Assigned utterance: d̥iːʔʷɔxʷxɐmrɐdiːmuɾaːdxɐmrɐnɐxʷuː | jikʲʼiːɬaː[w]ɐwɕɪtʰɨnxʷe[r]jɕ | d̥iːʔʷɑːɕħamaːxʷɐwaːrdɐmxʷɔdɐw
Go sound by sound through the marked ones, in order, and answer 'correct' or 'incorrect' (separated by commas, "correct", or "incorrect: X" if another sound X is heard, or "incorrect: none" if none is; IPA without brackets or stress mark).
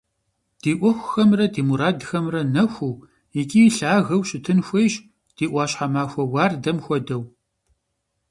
incorrect: ɣ, incorrect: none